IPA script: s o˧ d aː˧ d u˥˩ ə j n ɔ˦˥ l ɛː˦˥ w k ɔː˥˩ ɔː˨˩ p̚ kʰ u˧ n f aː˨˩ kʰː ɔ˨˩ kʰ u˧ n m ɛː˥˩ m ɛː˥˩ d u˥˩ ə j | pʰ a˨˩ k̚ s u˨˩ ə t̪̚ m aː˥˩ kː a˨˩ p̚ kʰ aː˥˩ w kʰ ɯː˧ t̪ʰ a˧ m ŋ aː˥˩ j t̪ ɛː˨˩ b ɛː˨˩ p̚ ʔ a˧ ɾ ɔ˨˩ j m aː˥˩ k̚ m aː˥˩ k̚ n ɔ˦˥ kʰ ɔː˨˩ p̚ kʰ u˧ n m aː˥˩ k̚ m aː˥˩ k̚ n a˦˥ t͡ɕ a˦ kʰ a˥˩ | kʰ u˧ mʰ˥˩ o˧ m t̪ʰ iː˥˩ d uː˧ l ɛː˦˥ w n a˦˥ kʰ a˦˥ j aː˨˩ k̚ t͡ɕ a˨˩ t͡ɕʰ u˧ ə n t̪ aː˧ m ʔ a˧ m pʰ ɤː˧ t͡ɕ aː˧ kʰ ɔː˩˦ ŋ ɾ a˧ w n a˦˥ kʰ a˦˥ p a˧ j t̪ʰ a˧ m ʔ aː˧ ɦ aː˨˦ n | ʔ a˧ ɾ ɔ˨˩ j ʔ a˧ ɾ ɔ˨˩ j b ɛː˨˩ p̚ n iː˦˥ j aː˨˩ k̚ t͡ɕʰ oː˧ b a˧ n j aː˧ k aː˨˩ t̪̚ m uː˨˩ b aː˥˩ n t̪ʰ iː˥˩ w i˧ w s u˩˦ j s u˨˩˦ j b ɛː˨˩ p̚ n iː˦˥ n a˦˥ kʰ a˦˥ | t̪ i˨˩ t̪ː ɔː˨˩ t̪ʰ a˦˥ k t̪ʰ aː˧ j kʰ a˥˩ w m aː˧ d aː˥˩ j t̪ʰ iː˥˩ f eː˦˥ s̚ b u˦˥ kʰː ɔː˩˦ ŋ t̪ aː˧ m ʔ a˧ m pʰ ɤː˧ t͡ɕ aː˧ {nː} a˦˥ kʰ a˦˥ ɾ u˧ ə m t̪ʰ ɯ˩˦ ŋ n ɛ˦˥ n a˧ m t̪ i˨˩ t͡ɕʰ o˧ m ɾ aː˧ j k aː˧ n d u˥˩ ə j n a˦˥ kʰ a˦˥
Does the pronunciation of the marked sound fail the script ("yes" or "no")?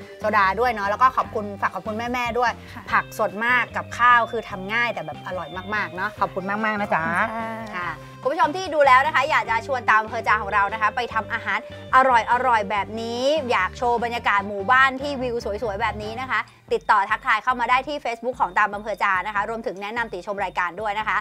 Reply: yes